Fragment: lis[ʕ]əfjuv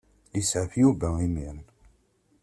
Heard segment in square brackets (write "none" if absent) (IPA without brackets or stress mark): ʕ